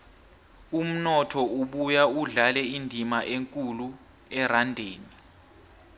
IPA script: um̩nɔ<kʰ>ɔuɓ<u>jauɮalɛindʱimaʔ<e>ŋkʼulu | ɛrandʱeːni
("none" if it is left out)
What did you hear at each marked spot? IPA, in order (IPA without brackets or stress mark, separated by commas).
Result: tʰ, u, e